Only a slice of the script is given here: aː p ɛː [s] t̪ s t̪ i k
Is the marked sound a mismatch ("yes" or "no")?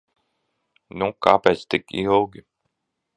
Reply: yes